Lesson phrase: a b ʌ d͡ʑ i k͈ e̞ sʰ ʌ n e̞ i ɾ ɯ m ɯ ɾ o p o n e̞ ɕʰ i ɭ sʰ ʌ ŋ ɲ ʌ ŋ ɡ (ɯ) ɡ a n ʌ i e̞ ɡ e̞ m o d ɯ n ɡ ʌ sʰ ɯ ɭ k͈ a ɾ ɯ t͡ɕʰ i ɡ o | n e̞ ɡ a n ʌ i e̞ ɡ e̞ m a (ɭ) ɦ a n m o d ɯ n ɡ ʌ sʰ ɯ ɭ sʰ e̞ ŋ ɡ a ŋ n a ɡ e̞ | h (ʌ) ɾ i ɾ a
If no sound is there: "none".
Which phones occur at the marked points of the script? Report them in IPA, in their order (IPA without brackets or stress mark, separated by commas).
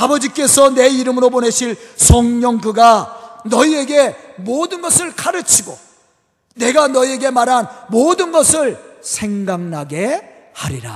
ɯ, ɾ, a